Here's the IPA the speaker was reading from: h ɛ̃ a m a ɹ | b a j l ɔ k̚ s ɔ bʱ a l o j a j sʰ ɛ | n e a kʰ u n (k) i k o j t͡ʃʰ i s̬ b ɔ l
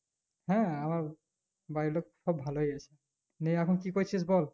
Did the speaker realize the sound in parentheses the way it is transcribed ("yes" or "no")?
yes